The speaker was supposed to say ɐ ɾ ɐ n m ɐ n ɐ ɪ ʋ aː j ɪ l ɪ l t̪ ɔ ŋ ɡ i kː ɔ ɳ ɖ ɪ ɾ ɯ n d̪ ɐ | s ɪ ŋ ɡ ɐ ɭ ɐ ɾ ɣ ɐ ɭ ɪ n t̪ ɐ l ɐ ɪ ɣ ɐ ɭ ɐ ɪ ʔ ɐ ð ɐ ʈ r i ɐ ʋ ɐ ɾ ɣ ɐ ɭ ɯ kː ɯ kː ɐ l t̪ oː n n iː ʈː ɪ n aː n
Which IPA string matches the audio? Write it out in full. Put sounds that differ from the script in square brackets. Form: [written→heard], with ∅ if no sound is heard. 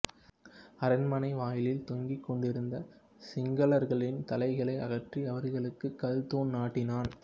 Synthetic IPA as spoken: ɐ ɾ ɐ n m ɐ n ɐ ɪ ʋ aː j ɪ l ɪ l t̪ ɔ ŋ ɡ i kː ɔ ɳ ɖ ɪ ɾ ɯ n d̪ ɐ | s ɪ ŋ ɡ ɐ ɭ ɐ ɾ ɣ ɐ ɭ ɪ n t̪ ɐ l ɐ ɪ ɣ ɐ ɭ ɐ ɪ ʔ ɐ [ð→ɣ] ɐ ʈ r i ɐ ʋ ɐ ɾ ɣ ɐ ɭ ɯ kː ɯ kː ɐ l t̪ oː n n [iː→aː] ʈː ɪ n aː n